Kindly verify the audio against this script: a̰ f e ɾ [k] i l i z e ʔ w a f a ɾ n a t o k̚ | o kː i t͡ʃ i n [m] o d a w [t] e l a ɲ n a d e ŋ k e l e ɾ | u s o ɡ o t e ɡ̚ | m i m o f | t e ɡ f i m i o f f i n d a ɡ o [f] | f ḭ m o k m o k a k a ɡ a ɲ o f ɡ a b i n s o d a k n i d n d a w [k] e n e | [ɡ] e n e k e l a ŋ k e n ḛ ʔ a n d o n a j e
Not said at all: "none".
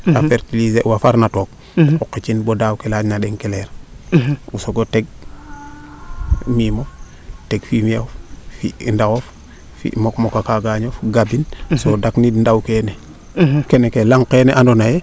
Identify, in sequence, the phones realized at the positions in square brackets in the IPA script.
t, b, k, f, k, k

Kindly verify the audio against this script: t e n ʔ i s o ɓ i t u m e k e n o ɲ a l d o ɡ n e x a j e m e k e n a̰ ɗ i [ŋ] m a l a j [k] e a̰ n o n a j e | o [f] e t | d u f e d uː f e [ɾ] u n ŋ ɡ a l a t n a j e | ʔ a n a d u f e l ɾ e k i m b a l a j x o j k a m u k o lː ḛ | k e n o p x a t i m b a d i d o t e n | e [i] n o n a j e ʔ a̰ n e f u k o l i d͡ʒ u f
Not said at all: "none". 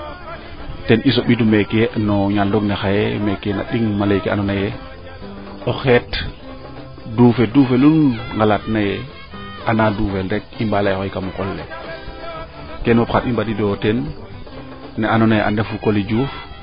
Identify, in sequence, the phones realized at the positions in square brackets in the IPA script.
ŋ, k, x, l, a

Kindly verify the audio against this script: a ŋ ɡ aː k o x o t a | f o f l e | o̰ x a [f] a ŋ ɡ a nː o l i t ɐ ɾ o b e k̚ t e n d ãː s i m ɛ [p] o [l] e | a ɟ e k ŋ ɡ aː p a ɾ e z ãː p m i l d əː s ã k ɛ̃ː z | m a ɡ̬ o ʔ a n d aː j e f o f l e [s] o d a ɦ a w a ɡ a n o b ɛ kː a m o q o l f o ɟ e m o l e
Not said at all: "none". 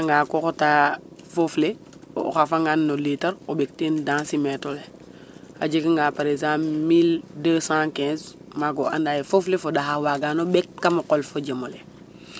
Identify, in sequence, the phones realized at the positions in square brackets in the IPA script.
f, t, l, f

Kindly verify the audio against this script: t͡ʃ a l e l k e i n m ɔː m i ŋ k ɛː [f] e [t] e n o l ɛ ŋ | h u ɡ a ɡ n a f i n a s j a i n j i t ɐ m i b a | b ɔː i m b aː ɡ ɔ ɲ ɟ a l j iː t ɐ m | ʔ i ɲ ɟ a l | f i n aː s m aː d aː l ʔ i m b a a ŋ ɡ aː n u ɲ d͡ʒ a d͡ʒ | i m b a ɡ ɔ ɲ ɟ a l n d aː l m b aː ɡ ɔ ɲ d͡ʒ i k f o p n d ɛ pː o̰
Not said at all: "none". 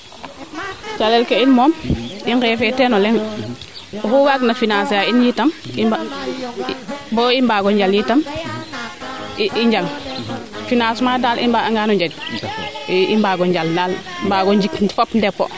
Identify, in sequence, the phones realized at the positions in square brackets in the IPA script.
f, t

